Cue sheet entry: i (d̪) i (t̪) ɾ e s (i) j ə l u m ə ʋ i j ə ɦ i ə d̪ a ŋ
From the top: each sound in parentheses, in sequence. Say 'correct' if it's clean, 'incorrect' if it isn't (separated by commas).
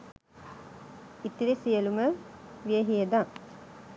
incorrect, incorrect, correct